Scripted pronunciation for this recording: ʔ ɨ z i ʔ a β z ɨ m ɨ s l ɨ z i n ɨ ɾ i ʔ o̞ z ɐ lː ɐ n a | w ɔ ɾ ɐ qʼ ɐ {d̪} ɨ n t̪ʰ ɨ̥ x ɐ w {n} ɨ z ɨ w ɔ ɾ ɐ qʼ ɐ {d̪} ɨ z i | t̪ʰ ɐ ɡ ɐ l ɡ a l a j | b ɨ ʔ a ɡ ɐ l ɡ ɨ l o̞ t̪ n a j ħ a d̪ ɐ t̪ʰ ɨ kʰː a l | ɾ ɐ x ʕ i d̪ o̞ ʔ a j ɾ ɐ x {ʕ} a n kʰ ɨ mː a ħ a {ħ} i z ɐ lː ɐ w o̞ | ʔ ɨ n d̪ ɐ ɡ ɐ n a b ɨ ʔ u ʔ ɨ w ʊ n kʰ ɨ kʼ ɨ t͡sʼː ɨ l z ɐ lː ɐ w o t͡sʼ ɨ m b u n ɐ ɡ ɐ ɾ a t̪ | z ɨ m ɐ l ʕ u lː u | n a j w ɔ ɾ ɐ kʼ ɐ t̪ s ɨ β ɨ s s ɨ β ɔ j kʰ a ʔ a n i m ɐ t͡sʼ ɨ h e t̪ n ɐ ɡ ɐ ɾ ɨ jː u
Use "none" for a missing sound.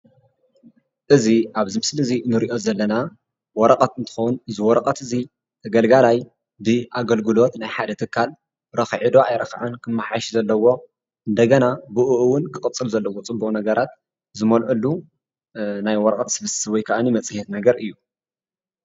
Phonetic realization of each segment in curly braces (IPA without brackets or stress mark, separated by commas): t̪, n, t̪, ʕ, ʃ